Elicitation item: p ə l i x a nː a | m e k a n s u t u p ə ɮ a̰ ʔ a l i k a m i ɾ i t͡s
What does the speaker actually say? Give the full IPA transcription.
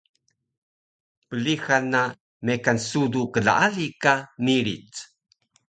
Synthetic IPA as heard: p ə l i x a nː a | m e k a n s u d u k ə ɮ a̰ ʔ a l i k a m i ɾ i t͡s